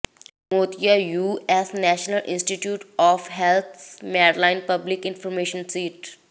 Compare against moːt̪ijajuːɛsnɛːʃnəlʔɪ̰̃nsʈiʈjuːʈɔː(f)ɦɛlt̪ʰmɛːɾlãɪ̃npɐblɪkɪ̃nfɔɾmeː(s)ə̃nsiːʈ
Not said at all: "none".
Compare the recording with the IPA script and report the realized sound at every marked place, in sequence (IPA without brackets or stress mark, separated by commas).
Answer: f, ʃ